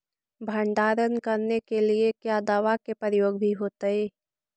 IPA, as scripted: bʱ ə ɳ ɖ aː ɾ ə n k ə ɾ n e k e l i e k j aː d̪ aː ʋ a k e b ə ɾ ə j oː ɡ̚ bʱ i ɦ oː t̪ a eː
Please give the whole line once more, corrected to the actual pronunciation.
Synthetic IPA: bʱ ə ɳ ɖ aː ɾ ə n k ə ɾ n e k e l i e k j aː d̪ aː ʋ a k e p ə ɾ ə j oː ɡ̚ bʱ i ɦ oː t̪ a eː